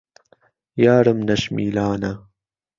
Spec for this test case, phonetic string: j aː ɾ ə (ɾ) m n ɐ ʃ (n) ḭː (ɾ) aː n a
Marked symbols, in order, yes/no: no, no, no

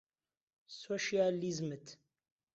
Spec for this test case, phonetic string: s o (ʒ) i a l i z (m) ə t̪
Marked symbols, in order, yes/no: no, yes

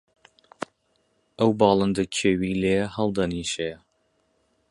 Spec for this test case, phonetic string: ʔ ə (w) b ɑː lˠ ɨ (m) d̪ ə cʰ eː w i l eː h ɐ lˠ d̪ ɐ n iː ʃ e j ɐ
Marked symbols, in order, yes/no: yes, no

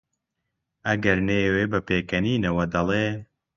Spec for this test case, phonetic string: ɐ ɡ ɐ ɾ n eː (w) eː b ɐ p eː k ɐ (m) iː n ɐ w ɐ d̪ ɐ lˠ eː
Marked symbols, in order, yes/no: yes, no

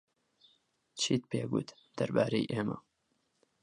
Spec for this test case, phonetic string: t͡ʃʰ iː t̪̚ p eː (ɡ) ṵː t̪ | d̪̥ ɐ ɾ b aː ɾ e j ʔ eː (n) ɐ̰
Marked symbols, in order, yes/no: yes, no

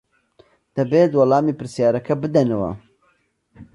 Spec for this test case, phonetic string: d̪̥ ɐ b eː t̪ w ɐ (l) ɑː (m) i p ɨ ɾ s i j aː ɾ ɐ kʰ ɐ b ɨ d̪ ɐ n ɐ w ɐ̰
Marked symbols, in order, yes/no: yes, yes

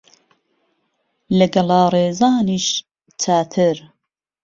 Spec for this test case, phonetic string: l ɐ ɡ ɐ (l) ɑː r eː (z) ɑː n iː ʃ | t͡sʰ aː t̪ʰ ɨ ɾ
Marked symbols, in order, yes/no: yes, yes

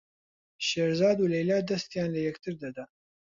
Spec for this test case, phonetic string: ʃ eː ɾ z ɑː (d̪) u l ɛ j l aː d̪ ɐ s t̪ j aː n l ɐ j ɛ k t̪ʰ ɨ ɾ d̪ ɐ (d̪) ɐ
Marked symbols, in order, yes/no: yes, yes

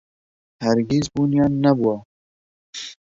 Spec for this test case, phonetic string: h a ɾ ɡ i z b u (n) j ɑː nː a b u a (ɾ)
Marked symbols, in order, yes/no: yes, no

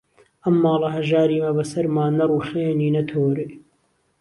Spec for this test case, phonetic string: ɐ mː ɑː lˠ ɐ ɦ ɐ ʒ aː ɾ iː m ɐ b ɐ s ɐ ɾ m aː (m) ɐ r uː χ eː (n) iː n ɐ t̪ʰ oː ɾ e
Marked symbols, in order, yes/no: no, yes

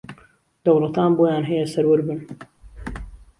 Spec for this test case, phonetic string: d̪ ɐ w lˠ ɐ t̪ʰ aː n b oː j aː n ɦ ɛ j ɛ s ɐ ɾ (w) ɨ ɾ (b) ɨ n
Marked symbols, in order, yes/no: yes, yes

